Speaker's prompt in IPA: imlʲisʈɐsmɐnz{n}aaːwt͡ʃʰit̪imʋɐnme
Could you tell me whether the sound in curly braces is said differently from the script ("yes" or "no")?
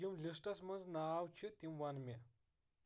no